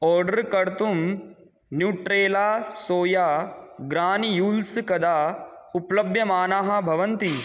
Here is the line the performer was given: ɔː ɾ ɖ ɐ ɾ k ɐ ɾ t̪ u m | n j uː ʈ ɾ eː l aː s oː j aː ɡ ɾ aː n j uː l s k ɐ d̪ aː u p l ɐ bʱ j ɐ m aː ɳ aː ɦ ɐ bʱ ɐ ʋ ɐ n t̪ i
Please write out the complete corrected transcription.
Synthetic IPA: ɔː ɾ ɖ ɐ ɾ k ɐ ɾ t̪ u m | n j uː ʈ ɾ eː l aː s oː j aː ɡ ɾ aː n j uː l s k ɐ d̪ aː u p l ɐ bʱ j ɐ m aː n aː ɦ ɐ bʱ ɐ ʋ ɐ n t̪ i